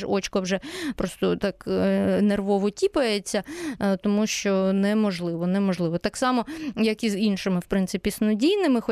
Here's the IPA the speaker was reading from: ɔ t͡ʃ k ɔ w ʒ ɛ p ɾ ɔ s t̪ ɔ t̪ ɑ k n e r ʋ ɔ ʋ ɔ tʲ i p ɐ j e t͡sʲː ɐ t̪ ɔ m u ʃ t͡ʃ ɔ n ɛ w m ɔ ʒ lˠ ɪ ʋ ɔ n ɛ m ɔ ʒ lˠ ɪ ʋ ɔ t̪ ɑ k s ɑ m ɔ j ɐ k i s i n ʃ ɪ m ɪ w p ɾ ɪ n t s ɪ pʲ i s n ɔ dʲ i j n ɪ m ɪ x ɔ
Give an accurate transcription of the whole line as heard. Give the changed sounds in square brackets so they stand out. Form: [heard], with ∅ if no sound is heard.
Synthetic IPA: ɔ t͡ʃ k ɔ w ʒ ɛ p ɾ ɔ s t̪ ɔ t̪ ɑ k n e r ʋ ɔ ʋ ɔ tʲ i p ɐ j e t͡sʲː ɐ t̪ ɔ m u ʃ t͡ʃ ɔ n ɛ [∅] m ɔ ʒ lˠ ɪ ʋ ɔ n ɛ m ɔ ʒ lˠ ɪ ʋ ɔ t̪ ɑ k s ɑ m ɔ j ɐ k i [z] i n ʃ ɪ m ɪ w p ɾ ɪ n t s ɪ pʲ i s n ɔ dʲ i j n ɪ m ɪ x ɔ